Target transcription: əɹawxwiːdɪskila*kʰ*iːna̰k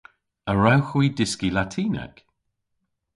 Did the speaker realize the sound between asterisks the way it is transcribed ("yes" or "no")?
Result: no